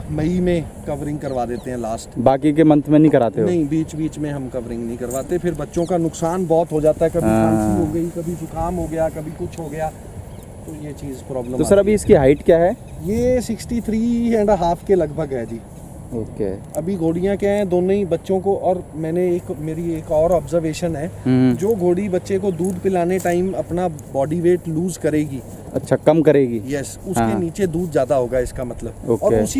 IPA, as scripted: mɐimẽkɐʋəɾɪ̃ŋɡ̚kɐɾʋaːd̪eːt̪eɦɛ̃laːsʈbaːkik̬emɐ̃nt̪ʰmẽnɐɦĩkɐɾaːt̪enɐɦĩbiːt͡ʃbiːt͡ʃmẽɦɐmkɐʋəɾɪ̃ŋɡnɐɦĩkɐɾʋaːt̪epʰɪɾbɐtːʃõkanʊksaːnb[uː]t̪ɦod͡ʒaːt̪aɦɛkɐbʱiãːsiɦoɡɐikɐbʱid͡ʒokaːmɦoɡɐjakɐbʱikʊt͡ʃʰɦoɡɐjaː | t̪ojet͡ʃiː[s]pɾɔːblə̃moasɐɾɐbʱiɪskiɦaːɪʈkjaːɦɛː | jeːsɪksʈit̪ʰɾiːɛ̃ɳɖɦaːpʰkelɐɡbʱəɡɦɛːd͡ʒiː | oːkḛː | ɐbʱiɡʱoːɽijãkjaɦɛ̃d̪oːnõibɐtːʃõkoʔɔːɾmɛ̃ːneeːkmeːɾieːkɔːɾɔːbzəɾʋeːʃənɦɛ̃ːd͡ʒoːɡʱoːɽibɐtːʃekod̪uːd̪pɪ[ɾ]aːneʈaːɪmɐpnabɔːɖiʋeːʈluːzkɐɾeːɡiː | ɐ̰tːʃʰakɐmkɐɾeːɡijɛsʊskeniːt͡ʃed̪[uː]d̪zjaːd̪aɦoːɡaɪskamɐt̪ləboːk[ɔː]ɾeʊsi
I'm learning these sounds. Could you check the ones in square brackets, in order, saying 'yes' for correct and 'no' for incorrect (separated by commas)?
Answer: no, no, no, yes, yes